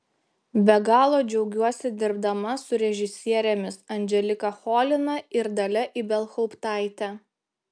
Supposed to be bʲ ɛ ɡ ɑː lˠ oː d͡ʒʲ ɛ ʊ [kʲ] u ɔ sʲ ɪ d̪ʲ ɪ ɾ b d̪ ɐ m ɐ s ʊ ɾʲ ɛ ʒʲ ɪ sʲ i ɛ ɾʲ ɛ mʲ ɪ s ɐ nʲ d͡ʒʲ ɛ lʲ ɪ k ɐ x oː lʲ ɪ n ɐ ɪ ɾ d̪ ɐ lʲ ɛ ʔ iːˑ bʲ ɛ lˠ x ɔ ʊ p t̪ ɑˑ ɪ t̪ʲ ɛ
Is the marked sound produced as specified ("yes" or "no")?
no